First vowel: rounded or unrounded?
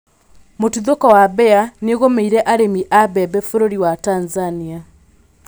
rounded